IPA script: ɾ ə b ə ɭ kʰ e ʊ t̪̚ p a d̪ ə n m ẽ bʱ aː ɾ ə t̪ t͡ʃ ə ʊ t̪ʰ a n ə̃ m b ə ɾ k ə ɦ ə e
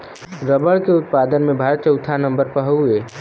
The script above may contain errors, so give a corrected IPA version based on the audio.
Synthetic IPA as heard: ɾ ə b ə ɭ k e ʊ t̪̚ p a d̪ ə n m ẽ bʱ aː ɾ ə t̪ t͡ʃ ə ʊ t̪ʰ a n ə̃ m b ə ɾ p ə ɦ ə e